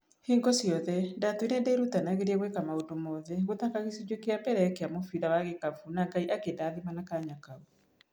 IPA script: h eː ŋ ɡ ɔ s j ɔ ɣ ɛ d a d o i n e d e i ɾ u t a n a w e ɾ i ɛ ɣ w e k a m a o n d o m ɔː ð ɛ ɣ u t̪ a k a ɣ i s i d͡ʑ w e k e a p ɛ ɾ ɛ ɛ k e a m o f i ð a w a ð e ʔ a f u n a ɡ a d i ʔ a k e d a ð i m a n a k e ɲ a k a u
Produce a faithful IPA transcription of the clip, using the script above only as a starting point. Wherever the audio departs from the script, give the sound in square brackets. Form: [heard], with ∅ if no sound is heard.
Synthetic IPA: h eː ŋ ɡ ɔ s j ɔ [ð] ɛ d a [t] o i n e d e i ɾ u t a n a [ɣ] e ɾ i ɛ ɣ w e k a m a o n d o m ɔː ð ɛ ɣ [o] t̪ a k a ɣ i s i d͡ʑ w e k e a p ɛ ɾ ɛ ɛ k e a m o f i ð a w a [ɣ] e [k] a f u n a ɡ a [∅] i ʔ a k e d a ð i m a n a k [a] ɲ a k a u